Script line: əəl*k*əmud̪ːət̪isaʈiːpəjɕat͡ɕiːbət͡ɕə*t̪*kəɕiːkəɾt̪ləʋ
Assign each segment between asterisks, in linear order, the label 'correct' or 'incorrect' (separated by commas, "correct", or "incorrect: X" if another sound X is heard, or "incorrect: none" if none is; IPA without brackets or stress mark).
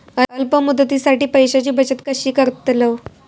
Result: incorrect: p, correct